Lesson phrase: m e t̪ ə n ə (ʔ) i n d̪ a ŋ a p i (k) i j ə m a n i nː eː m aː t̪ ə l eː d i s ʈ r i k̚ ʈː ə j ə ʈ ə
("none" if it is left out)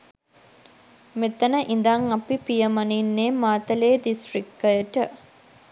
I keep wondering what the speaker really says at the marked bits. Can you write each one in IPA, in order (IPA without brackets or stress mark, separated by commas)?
ʔ, p